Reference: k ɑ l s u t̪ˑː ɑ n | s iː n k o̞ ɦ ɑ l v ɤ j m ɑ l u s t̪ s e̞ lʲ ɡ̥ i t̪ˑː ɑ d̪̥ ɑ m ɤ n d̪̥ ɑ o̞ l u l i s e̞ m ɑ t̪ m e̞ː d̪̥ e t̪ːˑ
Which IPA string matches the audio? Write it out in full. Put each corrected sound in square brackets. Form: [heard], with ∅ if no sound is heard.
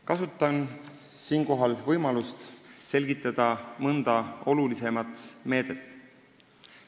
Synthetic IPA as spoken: k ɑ [∅] s u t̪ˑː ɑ n | s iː n k o̞ ɦ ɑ l v ɤ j m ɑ l u s t̪ s e̞ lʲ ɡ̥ i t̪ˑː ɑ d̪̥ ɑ m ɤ n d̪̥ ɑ o̞ l u l i s e̞ m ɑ t̪ m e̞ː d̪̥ e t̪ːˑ